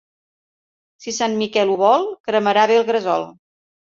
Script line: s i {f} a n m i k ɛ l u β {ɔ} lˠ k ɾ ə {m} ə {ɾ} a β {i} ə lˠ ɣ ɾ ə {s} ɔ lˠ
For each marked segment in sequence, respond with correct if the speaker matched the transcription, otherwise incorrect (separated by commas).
incorrect, correct, correct, correct, incorrect, incorrect